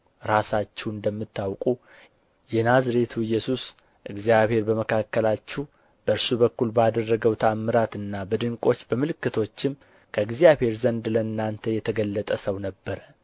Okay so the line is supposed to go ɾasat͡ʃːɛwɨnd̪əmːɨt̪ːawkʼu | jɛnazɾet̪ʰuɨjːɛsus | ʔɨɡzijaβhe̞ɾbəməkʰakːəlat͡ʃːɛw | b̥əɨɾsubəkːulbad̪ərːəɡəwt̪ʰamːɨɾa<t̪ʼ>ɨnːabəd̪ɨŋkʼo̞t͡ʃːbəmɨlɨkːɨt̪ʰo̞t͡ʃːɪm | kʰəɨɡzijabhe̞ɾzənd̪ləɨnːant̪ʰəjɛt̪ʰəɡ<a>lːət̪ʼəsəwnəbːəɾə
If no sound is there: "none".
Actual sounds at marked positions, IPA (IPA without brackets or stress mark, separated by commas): t̪, ə